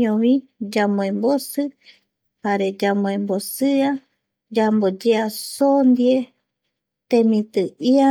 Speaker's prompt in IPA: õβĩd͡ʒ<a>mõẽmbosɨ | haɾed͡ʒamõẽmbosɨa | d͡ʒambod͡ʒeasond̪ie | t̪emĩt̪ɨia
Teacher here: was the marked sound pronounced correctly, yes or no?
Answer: yes